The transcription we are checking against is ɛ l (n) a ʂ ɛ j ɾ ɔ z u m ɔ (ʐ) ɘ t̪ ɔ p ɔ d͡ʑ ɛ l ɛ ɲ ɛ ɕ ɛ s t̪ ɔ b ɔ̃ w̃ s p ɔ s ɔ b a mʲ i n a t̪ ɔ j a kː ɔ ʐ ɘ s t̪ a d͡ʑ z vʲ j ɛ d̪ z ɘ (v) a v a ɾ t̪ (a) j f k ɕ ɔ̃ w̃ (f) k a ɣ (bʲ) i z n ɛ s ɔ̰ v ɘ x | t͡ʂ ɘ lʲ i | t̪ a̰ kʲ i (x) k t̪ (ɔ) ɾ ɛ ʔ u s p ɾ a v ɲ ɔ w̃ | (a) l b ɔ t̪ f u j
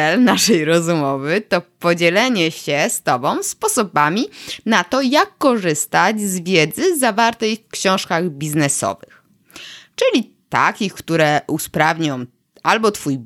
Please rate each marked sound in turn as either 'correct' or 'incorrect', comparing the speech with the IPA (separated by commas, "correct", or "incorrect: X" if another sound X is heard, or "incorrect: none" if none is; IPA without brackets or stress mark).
correct, incorrect: v, incorrect: z, incorrect: ɛ, incorrect: ʂ, correct, correct, incorrect: u, correct